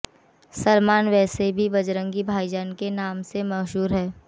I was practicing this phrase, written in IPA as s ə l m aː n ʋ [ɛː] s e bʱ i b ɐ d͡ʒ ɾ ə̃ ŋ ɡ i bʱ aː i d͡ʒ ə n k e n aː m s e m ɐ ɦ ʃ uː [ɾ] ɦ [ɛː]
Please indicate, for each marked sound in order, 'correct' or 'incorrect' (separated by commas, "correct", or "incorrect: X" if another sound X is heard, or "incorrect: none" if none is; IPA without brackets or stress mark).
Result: correct, correct, correct